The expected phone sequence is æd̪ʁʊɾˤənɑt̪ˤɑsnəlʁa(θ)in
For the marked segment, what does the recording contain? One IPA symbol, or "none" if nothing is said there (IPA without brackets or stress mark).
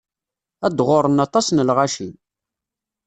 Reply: ʃ